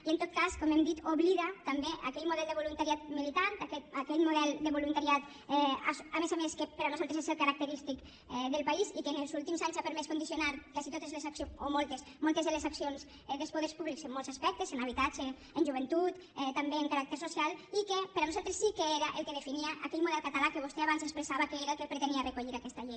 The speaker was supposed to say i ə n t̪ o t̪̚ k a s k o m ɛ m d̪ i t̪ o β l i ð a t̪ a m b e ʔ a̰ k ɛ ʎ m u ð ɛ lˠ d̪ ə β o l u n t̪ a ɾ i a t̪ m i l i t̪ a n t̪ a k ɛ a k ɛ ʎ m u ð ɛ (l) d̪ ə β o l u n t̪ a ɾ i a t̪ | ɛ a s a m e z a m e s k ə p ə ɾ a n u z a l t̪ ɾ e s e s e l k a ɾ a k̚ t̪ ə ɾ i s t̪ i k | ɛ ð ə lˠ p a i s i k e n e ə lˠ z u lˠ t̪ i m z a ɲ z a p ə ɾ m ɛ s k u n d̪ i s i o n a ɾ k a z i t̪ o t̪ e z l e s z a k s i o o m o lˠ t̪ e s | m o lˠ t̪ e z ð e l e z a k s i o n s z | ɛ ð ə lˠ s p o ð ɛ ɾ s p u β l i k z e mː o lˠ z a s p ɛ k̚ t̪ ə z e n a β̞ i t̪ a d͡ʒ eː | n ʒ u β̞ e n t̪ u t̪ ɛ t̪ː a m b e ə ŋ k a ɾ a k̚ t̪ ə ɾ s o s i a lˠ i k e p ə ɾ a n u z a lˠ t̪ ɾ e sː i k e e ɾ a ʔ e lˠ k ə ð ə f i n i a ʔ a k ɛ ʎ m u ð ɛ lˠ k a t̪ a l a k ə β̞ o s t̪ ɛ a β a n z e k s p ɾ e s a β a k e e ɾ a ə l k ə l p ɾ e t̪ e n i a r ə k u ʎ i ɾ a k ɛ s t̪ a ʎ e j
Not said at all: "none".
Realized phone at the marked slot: l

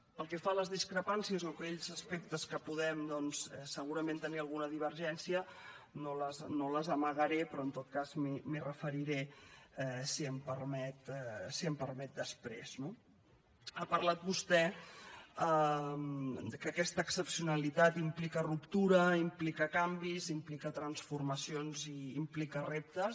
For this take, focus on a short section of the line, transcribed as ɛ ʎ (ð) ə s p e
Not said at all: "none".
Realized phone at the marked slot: z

